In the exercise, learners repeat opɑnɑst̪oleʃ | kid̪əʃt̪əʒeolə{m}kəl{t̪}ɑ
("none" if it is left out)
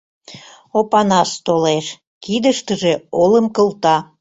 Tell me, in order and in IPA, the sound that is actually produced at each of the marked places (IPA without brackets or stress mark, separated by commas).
m, t̪